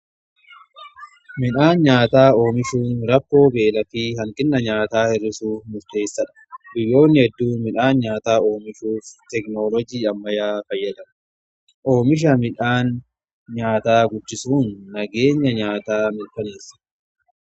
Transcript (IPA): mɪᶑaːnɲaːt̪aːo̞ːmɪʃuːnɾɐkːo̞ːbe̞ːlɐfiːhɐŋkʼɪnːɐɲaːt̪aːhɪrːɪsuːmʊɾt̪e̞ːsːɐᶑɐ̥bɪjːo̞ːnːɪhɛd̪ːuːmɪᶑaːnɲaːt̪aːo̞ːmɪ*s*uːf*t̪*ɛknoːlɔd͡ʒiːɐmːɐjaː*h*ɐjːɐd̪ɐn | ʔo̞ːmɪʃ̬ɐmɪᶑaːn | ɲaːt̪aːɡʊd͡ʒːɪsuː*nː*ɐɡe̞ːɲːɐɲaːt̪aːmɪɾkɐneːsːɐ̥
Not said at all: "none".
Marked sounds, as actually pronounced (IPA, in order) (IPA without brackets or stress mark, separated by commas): ʃ, t̪, f, nː